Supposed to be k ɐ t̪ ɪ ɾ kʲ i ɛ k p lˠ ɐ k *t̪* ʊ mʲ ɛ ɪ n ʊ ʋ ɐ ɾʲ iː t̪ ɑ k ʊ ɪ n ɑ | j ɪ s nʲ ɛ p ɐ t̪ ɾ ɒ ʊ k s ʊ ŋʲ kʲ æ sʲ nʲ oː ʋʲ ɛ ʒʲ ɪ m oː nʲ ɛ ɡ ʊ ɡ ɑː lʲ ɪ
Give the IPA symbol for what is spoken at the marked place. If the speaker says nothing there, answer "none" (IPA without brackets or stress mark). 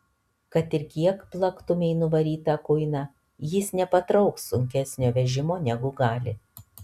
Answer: t̪